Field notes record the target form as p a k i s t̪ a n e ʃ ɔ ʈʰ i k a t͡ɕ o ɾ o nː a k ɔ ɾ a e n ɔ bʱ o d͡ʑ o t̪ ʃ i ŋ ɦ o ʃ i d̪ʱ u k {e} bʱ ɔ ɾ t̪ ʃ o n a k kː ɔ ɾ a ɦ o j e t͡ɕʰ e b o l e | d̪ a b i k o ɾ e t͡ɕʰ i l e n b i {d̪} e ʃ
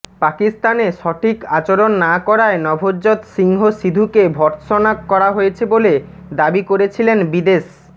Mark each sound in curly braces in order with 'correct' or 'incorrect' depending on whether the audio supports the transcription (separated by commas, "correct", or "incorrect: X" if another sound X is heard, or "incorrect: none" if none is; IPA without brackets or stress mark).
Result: correct, correct